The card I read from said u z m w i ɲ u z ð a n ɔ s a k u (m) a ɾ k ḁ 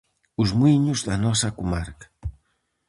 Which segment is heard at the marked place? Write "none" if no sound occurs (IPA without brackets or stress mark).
m